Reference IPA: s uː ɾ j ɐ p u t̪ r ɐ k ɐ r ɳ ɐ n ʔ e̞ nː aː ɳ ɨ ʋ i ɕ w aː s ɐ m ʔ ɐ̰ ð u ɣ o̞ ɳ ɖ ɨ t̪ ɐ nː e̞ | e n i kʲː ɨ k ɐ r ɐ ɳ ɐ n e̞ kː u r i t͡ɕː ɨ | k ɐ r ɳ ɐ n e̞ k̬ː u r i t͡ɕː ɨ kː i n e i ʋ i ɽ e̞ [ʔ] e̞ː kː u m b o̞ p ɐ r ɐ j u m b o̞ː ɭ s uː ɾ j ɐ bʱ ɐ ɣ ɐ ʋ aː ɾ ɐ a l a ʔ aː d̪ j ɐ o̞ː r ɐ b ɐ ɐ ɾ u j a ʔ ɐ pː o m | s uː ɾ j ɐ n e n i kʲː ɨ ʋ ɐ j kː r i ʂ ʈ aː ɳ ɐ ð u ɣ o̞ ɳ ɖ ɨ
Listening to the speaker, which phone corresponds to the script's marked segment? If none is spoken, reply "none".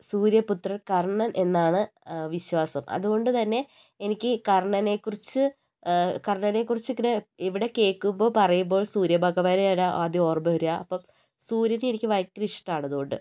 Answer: k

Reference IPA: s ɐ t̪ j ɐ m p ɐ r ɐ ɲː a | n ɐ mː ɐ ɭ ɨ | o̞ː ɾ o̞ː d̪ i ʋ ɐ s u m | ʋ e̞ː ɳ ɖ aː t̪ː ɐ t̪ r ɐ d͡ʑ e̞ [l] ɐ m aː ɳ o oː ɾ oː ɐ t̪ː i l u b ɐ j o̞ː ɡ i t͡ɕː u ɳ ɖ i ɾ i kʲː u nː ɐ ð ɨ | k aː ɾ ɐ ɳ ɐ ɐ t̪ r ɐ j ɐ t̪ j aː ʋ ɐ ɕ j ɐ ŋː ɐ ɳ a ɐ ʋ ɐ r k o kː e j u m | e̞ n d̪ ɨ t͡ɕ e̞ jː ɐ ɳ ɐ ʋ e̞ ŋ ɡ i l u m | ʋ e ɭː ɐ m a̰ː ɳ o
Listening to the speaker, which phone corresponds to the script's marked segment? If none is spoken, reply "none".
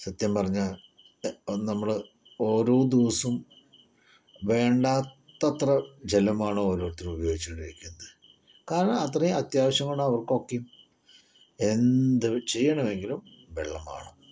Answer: l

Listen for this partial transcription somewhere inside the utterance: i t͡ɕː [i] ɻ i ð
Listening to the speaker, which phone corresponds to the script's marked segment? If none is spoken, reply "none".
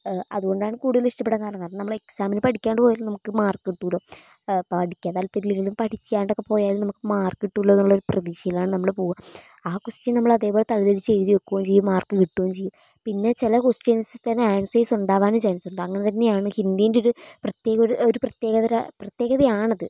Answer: e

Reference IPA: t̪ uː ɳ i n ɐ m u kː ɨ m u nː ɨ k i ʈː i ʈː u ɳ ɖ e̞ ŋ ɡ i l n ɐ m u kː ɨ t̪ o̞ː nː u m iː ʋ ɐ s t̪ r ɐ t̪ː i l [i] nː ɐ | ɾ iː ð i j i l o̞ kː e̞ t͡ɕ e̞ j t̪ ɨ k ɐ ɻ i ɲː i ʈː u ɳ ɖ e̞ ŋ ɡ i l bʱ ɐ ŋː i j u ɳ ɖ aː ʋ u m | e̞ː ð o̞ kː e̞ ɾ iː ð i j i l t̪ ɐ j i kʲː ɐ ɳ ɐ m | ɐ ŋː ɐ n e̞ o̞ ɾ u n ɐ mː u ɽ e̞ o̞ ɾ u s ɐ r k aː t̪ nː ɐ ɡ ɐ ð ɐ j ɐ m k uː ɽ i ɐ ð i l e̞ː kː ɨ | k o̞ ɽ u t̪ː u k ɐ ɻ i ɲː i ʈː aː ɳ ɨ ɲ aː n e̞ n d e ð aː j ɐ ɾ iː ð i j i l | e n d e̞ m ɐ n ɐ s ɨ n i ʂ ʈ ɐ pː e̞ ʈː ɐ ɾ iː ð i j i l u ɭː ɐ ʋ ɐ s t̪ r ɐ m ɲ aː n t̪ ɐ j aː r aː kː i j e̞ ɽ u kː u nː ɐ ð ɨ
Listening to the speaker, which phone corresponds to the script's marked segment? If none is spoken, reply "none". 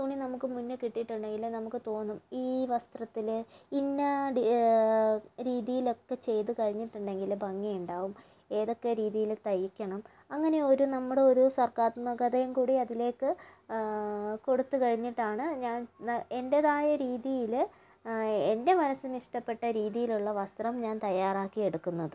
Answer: i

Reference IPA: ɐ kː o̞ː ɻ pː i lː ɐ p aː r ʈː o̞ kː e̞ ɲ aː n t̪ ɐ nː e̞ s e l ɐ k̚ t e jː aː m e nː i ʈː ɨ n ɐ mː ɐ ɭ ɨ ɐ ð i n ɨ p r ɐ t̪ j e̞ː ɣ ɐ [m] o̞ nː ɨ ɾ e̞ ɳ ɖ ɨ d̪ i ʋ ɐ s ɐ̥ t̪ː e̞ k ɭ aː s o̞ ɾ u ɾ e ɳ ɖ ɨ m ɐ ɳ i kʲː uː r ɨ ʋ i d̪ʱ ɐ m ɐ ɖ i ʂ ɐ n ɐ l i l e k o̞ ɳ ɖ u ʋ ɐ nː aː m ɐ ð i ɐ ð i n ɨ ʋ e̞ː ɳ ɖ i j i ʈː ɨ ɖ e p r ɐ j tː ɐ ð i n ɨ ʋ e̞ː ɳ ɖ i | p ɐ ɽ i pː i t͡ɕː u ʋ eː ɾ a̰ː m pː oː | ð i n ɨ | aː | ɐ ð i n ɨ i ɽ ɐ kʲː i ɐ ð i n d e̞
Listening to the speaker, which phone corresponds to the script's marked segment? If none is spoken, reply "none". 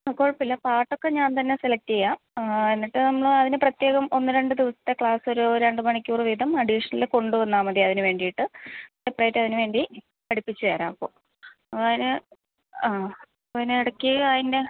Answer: m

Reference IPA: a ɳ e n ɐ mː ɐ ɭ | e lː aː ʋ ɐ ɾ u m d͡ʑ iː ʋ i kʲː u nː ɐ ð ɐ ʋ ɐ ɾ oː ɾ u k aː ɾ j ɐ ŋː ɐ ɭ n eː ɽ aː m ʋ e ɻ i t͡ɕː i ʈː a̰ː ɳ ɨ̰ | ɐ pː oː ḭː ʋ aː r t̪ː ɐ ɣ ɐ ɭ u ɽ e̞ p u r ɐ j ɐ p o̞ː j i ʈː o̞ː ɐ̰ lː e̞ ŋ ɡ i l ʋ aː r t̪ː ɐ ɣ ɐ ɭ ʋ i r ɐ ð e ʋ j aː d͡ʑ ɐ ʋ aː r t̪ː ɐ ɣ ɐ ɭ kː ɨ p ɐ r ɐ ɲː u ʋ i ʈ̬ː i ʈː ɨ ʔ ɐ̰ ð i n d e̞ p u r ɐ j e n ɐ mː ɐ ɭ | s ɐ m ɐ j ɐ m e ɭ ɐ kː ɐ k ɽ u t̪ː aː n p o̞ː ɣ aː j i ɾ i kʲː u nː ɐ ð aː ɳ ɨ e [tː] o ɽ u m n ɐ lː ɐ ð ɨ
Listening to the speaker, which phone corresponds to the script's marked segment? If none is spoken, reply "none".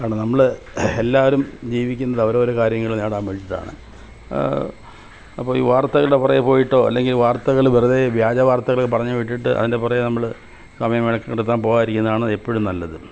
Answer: pː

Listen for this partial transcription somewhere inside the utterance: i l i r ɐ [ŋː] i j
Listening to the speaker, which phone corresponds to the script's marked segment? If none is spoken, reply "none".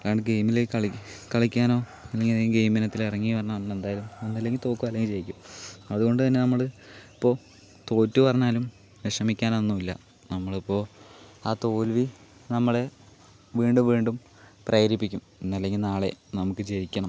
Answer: ŋː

